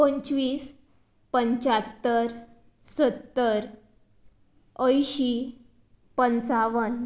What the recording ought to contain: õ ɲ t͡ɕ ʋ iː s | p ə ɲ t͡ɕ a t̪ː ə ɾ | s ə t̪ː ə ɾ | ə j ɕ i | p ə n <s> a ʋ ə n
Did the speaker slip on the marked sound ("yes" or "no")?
yes